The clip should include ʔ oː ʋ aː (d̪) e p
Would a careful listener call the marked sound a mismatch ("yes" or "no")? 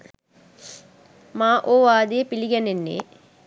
no